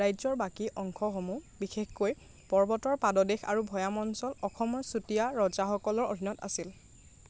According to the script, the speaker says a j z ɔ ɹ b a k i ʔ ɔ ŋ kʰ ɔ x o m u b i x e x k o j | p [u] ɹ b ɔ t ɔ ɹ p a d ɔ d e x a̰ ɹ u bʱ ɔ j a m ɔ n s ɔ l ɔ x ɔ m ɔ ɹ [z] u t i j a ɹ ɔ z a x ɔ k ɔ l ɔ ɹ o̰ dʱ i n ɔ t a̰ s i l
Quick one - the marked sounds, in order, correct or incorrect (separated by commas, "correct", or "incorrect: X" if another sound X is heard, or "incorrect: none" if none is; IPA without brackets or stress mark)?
incorrect: ɔ, incorrect: s